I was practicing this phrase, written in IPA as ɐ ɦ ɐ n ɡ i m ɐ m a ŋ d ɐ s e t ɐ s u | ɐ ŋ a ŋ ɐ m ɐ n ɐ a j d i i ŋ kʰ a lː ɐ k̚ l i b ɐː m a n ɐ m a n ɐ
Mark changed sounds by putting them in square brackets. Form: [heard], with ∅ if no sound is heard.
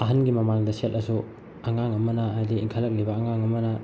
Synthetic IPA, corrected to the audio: ɐ ɦ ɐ n ɡ i m ɐ m a ŋ d ɐ s e t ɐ s u | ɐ ŋ a ŋ ɐ m ɐ n ɐ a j d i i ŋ kʰ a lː ɐ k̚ l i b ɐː [ŋ] a [ŋ] ɐ m [ɐ] n ɐ